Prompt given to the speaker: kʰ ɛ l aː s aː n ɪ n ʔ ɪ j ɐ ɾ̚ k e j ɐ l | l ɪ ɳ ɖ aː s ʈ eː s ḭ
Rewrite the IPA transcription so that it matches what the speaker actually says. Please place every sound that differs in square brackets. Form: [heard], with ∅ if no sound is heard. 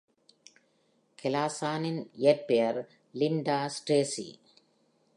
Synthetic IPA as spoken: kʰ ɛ l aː s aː n ɪ n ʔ ɪ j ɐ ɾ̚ [p] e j ɐ [ɾ] | l ɪ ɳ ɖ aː s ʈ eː s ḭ